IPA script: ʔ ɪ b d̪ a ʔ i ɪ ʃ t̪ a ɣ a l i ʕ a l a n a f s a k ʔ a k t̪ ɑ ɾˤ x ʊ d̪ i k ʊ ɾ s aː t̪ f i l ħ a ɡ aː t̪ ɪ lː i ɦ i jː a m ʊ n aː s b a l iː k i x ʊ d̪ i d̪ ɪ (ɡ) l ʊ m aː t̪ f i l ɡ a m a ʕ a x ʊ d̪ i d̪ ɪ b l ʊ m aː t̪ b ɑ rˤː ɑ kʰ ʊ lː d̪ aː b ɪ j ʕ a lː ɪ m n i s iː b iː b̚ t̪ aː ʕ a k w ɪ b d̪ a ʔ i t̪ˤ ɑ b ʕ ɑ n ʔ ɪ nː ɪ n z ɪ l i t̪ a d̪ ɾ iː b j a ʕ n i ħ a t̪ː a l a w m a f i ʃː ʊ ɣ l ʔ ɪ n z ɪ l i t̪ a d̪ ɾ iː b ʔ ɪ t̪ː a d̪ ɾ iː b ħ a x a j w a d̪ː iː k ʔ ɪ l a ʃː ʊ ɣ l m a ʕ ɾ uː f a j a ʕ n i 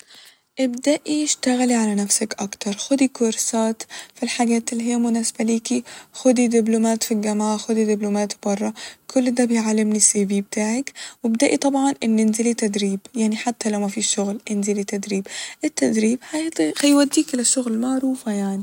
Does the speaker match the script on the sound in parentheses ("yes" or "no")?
no